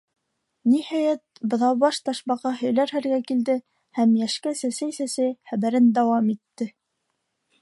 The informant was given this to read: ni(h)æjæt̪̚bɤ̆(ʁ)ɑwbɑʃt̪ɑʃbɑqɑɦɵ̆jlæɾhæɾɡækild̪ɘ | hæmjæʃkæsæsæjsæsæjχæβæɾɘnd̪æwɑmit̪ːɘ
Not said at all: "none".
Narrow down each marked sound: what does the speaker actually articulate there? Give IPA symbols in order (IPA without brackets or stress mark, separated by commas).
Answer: h, ð